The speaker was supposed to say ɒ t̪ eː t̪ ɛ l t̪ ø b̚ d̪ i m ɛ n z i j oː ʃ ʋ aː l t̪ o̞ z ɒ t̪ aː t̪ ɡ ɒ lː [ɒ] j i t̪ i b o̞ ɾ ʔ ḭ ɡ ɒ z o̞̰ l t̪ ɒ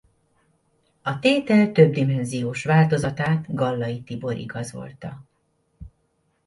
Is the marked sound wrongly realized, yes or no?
no